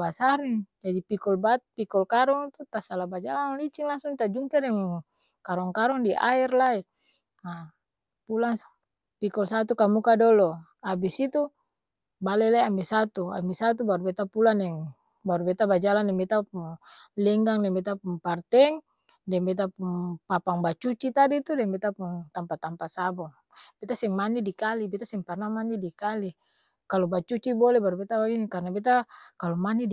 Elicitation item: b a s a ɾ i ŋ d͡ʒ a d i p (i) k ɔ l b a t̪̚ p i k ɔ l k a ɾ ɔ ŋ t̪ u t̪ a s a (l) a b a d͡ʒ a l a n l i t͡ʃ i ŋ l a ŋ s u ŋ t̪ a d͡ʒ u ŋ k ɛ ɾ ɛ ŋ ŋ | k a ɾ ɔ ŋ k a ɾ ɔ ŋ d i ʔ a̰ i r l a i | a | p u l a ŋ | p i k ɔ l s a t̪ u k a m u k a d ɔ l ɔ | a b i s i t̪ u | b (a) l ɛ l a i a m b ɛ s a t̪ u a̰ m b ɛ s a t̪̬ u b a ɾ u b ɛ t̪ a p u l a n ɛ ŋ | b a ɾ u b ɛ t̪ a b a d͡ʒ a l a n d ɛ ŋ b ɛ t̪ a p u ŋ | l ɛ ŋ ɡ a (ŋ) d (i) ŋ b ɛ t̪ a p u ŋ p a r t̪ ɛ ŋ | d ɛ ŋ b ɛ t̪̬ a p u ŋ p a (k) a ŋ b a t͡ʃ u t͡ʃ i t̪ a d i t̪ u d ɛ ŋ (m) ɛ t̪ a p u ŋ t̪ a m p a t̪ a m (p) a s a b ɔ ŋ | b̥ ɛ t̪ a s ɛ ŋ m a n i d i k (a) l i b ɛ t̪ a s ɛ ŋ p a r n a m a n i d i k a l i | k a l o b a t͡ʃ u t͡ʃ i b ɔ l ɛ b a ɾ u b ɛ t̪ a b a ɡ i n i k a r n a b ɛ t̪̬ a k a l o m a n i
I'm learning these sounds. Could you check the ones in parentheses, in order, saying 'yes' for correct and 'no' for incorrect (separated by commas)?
yes, yes, yes, yes, no, no, no, yes, yes